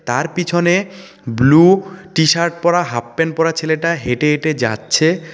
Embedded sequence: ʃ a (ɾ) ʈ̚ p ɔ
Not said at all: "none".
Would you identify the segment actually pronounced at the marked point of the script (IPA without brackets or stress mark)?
ɾ